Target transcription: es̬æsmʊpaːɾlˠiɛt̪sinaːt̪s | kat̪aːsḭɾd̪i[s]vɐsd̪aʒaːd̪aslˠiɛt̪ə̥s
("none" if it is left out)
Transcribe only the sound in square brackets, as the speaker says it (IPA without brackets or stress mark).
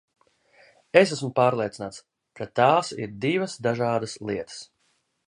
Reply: none